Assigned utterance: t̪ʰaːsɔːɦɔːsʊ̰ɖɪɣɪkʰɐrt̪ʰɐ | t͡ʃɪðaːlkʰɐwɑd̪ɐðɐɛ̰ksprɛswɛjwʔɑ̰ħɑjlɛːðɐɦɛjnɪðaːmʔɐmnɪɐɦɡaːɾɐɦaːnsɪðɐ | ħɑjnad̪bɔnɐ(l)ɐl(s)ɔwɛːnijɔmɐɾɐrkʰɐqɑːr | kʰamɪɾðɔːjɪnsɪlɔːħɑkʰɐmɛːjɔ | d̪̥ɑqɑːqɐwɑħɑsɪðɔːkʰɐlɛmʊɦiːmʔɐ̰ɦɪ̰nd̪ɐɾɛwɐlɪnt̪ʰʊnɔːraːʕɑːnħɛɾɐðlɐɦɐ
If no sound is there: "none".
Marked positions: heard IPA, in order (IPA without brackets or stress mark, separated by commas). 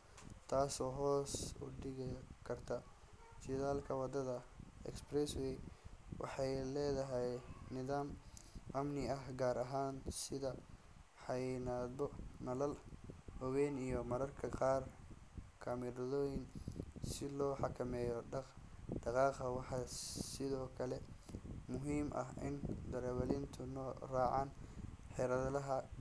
l, h